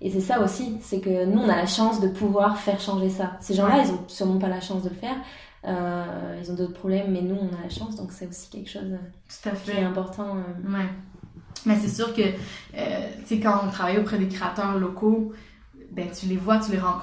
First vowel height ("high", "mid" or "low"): mid